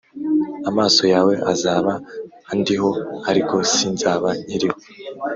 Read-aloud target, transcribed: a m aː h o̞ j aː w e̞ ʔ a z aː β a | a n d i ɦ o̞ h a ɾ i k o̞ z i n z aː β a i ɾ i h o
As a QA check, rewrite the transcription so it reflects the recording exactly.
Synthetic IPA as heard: a m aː s o̞ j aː w e̞ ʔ a z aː β a | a n d i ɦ o̞ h a ɾ i k o̞ s i n z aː β a i ɾ i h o

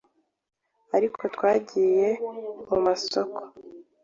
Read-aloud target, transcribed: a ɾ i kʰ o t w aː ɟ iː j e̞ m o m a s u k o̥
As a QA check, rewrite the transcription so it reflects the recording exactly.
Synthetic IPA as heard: a ɾ i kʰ o t w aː ɟ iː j e̞ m u m a s o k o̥

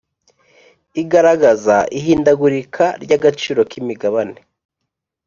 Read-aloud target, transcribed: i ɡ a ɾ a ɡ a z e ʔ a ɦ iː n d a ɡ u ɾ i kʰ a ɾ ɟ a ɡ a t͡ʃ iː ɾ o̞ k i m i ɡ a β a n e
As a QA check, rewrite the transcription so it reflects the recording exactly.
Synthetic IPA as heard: i ɡ a ɾ a ɡ a z a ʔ i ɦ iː n d a ɡ u ɾ i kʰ a ɾ ɟ a ɡ a t͡ʃ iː ɾ o̞ k i m i ɡ a β a n e

